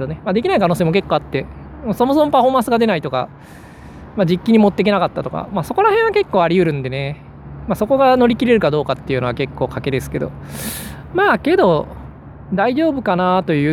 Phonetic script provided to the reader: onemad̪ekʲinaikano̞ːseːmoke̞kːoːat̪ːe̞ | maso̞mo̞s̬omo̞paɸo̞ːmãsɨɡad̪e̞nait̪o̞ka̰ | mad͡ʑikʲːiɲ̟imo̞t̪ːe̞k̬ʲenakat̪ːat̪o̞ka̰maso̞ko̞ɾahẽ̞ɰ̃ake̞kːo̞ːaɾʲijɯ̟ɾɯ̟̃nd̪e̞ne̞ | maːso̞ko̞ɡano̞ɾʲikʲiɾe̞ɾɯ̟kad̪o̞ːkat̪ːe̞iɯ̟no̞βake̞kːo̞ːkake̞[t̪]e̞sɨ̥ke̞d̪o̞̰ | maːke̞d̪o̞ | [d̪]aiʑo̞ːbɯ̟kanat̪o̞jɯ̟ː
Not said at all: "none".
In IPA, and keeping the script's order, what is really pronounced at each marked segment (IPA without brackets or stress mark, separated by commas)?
d̪, d̪